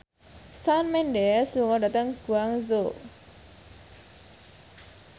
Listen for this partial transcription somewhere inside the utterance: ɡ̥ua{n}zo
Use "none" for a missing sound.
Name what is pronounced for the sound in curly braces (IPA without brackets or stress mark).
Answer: ŋ